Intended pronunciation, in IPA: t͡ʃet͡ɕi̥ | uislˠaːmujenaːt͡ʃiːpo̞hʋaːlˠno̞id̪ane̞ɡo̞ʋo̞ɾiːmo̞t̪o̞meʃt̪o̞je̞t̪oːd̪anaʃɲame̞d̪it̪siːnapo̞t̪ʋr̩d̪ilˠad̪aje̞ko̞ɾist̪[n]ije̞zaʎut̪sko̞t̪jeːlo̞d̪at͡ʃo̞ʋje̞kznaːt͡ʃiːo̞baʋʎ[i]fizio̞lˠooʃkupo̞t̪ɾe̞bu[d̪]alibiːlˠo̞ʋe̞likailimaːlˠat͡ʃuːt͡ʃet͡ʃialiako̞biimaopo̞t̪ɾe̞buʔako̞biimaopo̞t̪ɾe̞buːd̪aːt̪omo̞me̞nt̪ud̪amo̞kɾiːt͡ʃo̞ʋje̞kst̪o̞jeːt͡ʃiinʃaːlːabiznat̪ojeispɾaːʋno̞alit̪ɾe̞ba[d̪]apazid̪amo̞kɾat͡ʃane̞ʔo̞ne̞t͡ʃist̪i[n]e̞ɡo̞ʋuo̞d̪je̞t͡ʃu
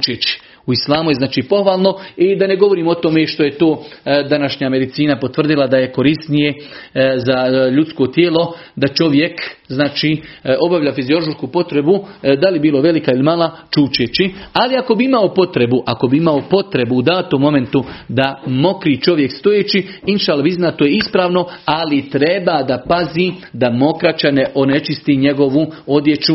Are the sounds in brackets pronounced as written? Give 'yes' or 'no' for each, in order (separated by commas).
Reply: yes, no, yes, yes, no